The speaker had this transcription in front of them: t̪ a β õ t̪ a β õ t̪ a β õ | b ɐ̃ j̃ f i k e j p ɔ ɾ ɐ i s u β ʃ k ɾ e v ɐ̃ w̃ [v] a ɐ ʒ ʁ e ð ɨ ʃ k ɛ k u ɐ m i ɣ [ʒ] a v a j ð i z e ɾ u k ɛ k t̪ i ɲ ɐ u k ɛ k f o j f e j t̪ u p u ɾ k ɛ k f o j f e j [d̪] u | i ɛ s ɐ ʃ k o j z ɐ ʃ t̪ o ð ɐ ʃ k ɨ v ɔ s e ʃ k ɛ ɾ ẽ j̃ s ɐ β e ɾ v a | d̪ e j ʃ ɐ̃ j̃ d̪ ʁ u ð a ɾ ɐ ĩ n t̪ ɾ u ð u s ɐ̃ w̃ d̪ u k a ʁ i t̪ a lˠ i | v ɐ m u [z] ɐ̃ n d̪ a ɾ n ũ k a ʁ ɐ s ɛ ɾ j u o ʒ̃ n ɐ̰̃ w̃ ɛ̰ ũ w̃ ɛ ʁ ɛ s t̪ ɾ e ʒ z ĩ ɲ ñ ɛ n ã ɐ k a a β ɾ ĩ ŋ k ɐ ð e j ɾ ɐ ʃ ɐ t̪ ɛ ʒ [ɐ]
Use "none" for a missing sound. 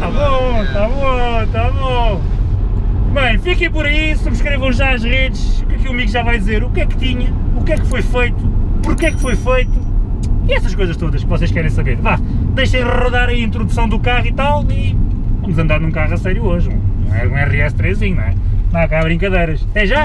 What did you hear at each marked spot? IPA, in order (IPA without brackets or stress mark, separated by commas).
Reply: ʒ, ʒ, t̪, z, a